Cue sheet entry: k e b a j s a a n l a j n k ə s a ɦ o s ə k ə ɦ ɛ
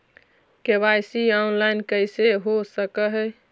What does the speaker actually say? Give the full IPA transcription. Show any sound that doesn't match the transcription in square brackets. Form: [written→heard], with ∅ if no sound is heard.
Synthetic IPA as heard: k e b a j s [a→i] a n l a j n k ə s [a→e] ɦ o s ə k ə ɦ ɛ

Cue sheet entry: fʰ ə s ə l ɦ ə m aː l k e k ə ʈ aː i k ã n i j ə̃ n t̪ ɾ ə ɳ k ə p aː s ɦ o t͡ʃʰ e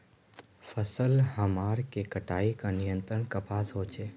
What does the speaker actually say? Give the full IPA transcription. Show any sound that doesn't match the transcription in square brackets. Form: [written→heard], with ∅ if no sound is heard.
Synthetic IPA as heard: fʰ ə s ə l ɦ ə m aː [l→ɾ] k e k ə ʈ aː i k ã n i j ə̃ n t̪ ɾ ə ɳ k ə p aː s ɦ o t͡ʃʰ e

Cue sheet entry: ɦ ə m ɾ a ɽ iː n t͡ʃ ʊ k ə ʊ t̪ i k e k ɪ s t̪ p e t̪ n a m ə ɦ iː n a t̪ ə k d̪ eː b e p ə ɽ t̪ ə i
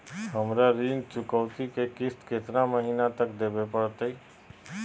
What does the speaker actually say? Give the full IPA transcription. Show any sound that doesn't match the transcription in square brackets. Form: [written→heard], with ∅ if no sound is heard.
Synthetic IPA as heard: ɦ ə m ɾ a [ɽ→ɾ] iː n t͡ʃ ʊ k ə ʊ t̪ i k e k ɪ s t̪ [p→k] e t̪ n a m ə ɦ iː n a t̪ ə k d̪ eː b e p ə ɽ t̪ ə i

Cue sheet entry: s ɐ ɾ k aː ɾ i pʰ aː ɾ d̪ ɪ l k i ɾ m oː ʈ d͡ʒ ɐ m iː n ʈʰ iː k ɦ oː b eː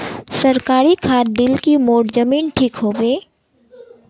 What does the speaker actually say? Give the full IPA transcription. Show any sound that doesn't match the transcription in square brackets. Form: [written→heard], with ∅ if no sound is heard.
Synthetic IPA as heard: s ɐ ɾ k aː ɾ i [pʰ→kʰ] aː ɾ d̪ ɪ l k i [ɾ→∅] m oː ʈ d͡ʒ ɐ m iː n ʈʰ iː k ɦ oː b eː

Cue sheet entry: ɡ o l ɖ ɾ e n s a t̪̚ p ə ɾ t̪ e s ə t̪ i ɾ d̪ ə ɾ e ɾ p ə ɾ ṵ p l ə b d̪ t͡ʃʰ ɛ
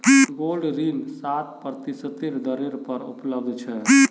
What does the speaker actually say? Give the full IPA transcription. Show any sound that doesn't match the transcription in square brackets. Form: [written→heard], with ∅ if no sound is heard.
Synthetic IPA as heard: ɡ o l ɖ ɾ [e→i] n s a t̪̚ p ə ɾ t̪ [e→i] s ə t̪ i ɾ d̪ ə ɾ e ɾ p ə ɾ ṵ p l ə b d̪ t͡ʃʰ ɛ

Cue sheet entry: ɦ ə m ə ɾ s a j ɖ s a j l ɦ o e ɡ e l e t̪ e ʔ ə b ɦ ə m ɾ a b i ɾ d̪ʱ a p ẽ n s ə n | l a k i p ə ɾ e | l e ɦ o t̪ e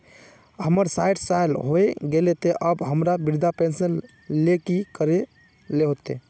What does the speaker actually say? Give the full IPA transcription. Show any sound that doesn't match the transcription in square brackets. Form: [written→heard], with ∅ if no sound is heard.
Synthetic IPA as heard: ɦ ə m ə ɾ s a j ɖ s a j l ɦ o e ɡ e l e t̪ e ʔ ə b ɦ ə m ɾ a b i ɾ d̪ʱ a p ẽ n s ə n | l [a→e] k i [p→k] ə ɾ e | l e ɦ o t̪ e

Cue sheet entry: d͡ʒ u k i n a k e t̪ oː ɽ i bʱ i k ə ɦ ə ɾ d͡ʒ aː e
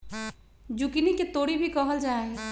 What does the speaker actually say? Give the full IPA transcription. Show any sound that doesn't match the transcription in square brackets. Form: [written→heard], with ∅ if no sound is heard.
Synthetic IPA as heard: d͡ʒ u k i n [a→i] k e t̪ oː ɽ i bʱ i k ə ɦ ə [ɾ→l] d͡ʒ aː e

